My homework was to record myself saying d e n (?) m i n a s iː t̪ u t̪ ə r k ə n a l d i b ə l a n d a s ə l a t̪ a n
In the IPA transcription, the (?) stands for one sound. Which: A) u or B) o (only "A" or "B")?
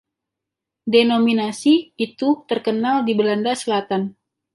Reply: B